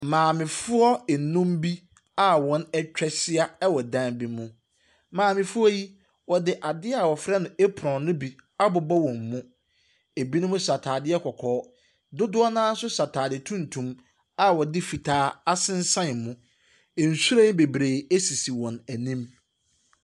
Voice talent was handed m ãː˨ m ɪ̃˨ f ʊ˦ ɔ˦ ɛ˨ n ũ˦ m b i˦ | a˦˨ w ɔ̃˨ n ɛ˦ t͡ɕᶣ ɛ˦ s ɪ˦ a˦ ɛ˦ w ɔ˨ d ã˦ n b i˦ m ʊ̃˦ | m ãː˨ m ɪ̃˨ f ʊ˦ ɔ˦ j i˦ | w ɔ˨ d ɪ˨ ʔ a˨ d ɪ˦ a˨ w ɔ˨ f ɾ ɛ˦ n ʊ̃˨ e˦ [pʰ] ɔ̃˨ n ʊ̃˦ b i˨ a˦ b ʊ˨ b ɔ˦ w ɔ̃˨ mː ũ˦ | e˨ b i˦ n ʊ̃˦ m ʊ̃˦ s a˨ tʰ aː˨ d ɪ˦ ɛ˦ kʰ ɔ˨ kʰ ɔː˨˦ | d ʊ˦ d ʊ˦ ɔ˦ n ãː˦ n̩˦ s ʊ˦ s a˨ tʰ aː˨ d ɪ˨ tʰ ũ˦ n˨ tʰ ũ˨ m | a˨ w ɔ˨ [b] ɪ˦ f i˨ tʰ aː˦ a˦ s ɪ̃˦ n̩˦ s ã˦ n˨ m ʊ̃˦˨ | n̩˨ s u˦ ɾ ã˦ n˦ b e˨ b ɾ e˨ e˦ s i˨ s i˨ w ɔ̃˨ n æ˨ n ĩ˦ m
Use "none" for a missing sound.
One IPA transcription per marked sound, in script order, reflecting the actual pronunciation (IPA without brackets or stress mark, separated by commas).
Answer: pʰ, d